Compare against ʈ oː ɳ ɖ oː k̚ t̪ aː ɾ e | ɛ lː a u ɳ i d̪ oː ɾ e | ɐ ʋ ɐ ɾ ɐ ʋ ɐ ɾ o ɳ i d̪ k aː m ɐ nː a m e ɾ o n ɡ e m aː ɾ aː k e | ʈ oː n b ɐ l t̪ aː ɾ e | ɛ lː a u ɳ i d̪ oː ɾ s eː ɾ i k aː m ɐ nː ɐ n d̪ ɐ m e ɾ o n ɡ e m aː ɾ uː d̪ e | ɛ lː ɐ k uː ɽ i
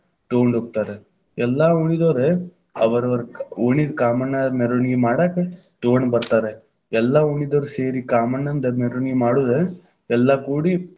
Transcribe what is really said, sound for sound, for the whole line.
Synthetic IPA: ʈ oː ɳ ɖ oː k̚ t̪ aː ɾ e | ɛ lː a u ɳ i d̪ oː ɾ e | ɐ ʋ ɐ ɾ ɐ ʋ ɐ ɾ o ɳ i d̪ k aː m ɐ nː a m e ɾ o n ɡ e m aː ɽ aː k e | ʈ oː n b ɐ ɾ t̪ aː ɾ e | ɛ lː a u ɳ i d̪ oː ɾ s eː ɾ i k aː m ɐ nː ɐ n d̪ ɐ m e ɾ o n ɡ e m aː ɽ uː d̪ e | ɛ lː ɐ k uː ɽ i